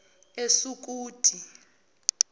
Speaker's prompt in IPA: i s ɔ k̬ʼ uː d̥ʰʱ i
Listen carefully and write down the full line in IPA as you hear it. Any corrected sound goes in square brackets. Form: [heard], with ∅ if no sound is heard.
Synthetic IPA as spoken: [e] s [u] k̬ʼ uː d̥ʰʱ i